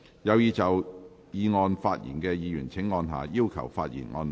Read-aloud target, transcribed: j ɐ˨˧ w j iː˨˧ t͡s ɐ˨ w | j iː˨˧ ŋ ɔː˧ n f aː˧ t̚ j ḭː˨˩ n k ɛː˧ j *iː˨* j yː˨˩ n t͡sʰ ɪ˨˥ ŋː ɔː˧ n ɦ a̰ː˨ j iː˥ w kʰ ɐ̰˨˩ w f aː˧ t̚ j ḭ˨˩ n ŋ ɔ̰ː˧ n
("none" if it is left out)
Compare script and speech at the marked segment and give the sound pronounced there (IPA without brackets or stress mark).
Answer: iː˨